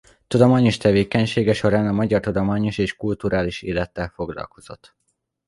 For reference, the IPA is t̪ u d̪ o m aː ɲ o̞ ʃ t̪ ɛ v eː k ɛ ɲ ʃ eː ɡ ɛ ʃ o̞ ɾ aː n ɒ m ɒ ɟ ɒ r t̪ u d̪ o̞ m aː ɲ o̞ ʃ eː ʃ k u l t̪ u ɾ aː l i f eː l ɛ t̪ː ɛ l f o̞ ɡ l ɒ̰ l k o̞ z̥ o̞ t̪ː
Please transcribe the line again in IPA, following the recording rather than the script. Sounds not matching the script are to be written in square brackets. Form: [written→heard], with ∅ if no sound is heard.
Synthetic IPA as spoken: t̪ u d̪ o m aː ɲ o̞ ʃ t̪ ɛ v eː k ɛ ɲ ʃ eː ɡ ɛ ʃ o̞ ɾ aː n ɒ m ɒ ɟ ɒ r t̪ u d̪ o̞ m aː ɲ o̞ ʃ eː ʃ k u l t̪ u ɾ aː l i [f→ʃ] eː l ɛ t̪ː ɛ l f o̞ ɡ l ɒ̰ l k o̞ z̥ o̞ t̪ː